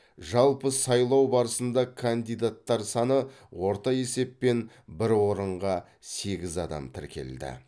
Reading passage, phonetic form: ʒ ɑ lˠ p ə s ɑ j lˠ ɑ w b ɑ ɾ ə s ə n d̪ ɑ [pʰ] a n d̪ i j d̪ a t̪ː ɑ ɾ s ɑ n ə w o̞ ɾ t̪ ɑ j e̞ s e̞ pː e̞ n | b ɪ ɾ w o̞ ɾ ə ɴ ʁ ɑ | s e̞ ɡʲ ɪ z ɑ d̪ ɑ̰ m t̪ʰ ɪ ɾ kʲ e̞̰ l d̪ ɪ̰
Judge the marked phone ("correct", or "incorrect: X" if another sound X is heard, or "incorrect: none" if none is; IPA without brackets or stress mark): incorrect: kʰ